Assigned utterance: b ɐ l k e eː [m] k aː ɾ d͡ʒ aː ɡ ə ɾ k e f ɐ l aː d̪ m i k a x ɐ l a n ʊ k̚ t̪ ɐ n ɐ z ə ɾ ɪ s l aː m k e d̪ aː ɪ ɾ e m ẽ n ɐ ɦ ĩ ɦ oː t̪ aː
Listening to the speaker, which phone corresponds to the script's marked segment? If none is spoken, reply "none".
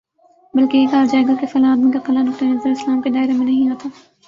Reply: none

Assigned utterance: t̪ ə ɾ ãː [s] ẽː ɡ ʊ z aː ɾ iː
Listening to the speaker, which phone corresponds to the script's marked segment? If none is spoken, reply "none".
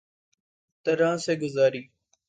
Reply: s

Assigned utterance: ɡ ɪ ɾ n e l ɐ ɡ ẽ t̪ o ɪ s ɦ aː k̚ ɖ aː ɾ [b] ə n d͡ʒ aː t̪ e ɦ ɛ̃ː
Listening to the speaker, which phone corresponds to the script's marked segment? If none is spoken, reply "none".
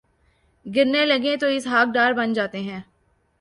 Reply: b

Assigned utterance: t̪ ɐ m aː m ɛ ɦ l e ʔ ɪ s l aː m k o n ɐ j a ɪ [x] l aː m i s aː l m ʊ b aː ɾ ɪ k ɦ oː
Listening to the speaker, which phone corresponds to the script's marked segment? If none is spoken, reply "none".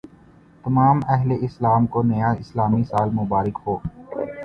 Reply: s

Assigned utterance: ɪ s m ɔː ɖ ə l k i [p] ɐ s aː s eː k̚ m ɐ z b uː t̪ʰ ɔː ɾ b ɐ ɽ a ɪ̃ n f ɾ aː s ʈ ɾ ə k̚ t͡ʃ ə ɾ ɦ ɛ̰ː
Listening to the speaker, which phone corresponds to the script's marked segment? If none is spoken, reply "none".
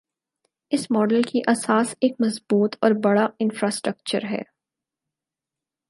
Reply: ʔ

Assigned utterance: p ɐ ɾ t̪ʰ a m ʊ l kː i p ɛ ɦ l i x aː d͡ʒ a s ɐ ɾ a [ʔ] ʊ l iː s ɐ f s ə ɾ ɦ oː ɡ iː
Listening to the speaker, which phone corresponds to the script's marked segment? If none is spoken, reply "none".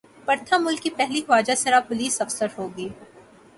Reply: p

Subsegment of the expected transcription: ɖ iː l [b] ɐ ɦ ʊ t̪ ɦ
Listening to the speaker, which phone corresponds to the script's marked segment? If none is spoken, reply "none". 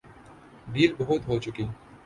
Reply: b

